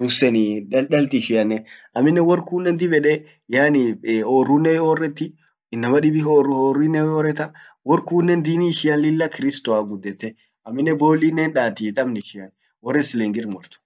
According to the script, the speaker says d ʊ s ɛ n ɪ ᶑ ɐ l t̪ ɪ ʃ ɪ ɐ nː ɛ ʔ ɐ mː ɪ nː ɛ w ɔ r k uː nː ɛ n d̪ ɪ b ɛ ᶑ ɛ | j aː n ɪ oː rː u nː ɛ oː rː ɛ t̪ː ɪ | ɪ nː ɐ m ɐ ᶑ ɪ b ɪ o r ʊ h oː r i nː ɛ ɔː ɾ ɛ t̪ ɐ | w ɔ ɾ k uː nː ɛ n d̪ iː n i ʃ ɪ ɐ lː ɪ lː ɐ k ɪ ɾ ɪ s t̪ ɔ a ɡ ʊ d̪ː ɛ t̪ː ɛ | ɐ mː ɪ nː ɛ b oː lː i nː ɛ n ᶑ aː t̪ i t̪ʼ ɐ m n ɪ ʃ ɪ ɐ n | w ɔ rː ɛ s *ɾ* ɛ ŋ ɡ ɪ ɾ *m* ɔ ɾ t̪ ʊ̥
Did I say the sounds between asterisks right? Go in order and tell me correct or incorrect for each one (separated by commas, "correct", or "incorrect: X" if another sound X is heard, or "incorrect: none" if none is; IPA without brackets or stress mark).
incorrect: l, correct